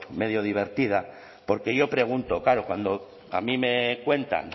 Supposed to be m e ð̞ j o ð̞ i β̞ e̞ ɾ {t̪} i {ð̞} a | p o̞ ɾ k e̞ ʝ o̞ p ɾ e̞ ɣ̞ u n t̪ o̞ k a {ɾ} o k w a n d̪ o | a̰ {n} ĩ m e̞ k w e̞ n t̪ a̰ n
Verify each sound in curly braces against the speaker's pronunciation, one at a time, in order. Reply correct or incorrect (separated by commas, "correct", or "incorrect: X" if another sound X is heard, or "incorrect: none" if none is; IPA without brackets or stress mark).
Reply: correct, correct, correct, incorrect: m